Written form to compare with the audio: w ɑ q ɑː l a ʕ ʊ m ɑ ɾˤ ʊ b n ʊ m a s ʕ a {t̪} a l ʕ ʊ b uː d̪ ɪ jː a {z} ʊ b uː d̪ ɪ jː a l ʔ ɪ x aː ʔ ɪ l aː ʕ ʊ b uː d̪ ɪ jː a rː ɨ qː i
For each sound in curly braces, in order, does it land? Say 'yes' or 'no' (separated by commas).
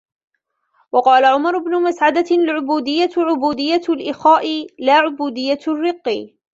no, no